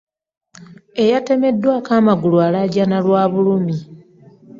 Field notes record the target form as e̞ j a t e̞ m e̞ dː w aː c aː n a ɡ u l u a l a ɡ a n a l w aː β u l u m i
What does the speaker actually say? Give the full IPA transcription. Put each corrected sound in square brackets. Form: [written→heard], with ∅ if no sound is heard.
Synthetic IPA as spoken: e̞ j a t e̞ m e̞ dː w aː [c→k] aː [n→m] a ɡ u l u a l a [ɡ→ɟ] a n a l w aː β u l u m i